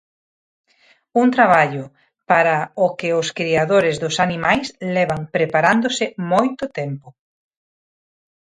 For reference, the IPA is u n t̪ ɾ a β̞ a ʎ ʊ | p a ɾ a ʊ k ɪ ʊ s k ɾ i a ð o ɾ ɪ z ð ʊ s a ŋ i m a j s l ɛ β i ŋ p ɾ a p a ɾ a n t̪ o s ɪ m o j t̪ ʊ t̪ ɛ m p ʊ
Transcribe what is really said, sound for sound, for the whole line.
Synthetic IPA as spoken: u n t̪ ɾ a β̞ a ʎ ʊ | p a ɾ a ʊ k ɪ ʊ s k ɾ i a ð o ɾ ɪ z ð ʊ s a n i m a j s l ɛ β a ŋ p ɾ e p a ɾ a n d̪ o s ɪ m o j t̪ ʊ t̪ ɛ m p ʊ